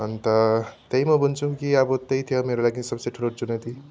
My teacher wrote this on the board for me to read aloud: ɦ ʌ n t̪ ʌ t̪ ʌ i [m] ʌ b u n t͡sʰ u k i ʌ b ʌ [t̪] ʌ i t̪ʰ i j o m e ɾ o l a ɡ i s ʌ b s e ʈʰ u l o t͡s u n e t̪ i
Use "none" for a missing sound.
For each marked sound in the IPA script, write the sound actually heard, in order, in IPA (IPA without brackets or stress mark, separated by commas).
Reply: m, t̪